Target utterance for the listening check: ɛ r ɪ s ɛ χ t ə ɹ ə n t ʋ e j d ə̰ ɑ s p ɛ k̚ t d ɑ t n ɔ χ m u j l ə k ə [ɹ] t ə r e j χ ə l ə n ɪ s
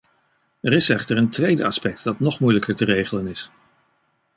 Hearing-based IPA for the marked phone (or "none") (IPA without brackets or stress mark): ɹ